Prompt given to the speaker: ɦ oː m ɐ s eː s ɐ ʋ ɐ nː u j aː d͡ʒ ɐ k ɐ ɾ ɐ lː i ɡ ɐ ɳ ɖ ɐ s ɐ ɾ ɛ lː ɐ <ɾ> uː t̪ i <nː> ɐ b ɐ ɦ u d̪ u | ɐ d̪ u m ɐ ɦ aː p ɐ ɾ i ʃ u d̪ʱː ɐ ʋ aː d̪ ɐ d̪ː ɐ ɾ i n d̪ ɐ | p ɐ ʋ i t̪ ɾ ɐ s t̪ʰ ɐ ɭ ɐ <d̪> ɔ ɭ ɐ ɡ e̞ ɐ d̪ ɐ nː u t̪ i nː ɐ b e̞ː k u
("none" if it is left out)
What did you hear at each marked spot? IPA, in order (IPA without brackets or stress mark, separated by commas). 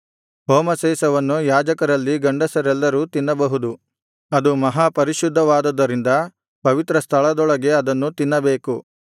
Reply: ɾ, nː, d̪